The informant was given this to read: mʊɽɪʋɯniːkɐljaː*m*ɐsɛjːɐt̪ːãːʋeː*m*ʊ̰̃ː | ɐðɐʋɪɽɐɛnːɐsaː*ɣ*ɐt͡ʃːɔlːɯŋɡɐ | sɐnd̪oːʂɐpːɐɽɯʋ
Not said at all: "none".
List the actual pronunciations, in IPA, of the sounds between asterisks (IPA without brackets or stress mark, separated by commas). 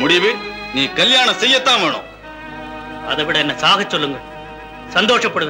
ɳ, ɳ, ɣ